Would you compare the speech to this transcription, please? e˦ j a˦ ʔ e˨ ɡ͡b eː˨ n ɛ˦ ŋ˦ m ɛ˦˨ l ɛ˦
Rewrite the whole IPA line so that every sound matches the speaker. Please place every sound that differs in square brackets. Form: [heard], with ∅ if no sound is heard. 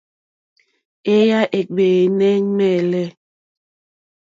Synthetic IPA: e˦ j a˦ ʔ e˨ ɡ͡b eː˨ n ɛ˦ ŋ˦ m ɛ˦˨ l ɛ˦

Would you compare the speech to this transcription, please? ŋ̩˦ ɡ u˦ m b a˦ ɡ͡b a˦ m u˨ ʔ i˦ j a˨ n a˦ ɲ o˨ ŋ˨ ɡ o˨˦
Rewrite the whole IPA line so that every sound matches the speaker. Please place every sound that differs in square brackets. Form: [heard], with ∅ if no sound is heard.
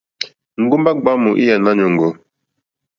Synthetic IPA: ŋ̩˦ ɡ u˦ m b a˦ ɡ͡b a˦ m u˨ ʔ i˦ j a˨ n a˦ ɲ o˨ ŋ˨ ɡ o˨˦

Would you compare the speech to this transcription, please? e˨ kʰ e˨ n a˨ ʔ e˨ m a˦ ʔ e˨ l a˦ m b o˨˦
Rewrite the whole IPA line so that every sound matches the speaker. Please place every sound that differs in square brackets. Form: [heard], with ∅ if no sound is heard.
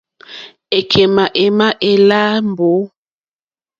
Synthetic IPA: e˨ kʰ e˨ [m] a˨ ʔ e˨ m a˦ ʔ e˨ l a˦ m b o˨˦

